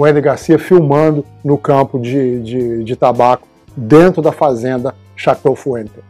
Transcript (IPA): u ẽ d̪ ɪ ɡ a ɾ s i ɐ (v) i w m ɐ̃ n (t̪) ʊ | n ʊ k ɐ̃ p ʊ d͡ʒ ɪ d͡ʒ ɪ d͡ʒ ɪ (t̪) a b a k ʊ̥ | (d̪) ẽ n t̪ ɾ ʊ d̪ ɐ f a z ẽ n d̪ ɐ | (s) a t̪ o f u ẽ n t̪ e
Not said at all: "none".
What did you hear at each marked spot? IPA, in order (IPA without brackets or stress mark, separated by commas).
f, d̪, t̪, d̪, ʃ